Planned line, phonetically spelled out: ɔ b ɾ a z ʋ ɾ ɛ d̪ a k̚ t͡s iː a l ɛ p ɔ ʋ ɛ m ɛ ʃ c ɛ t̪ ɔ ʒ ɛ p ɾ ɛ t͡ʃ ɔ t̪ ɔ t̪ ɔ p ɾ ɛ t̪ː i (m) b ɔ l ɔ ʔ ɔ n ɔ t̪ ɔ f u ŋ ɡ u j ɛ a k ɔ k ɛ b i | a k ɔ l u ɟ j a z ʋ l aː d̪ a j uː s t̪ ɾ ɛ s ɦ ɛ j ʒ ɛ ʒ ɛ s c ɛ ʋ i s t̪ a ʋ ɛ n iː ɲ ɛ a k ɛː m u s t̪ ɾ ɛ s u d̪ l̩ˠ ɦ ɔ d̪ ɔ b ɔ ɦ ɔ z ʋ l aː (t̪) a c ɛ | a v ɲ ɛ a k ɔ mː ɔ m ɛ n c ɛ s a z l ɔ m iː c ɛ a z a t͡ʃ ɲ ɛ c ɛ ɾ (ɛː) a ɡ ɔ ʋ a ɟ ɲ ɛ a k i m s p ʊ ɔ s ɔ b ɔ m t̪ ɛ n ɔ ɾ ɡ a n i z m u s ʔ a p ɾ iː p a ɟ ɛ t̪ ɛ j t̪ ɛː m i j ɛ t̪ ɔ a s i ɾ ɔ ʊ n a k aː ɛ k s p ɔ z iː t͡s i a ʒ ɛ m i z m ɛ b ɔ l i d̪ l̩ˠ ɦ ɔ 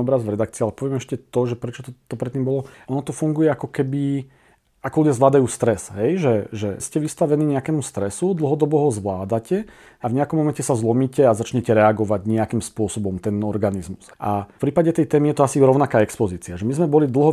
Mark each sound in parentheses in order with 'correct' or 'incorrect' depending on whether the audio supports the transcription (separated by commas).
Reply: correct, incorrect, incorrect